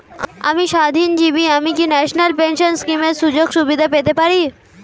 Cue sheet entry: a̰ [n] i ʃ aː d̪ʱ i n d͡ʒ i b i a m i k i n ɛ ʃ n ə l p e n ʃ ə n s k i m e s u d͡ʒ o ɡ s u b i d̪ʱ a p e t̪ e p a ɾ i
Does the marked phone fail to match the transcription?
yes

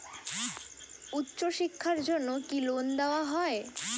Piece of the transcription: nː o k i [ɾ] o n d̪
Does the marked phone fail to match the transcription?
yes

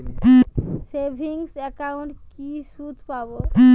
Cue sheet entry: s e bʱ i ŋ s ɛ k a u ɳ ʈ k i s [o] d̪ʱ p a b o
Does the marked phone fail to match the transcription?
yes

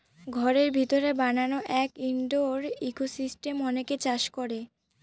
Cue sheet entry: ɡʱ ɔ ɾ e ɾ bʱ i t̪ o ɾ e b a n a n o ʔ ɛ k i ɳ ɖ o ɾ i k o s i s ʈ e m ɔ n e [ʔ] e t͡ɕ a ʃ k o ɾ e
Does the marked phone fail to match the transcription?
yes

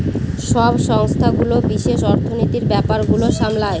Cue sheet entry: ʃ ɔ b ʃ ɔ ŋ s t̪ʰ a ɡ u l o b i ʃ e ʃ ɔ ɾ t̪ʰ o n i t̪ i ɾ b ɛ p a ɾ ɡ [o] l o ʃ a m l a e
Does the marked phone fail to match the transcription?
yes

